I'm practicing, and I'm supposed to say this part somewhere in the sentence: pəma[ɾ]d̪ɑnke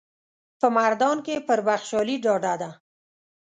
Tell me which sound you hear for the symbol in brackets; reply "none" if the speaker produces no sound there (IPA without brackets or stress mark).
ɾ